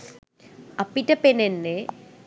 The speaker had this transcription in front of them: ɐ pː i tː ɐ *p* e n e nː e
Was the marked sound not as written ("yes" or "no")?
no